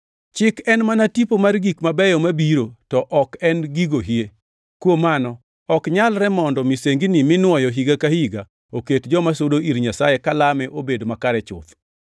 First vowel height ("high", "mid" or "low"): high